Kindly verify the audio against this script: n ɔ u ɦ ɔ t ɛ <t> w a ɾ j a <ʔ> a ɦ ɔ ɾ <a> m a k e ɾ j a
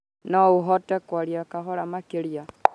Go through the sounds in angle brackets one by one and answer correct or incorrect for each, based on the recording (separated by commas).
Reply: incorrect, incorrect, correct